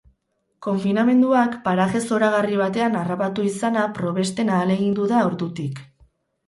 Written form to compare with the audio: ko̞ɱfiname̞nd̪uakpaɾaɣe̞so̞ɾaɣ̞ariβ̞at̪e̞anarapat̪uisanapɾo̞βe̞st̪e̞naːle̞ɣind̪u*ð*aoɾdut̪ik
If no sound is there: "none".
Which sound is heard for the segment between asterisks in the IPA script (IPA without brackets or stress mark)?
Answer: ð